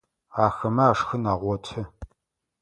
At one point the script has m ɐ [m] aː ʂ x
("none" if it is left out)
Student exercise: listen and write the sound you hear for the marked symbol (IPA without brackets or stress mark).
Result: none